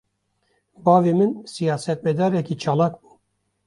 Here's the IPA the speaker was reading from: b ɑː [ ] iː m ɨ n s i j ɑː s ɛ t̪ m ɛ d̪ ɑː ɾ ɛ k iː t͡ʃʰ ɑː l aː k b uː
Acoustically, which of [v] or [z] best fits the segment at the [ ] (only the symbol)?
v